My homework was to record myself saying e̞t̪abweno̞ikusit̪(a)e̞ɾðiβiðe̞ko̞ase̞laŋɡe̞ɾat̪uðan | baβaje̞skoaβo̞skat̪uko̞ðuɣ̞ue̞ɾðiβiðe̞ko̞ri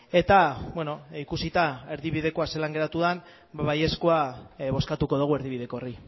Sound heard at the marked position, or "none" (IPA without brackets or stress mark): a